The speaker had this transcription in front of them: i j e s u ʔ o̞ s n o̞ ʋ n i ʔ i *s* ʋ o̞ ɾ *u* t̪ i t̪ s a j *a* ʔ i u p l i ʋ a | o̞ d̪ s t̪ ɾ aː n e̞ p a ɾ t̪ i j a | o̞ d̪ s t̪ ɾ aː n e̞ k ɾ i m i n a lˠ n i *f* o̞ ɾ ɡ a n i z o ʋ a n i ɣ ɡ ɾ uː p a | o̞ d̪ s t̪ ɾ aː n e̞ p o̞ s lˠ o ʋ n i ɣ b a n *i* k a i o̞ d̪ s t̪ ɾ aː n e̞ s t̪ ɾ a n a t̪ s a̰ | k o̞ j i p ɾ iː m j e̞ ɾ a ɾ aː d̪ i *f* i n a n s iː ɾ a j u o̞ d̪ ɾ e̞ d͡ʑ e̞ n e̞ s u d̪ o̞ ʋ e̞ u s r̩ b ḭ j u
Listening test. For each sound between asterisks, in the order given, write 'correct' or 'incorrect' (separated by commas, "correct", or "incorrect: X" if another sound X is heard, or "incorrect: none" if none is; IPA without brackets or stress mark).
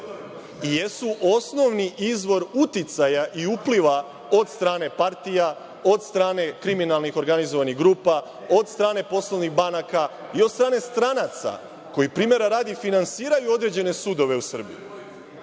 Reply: incorrect: z, correct, correct, incorrect: x, incorrect: a, correct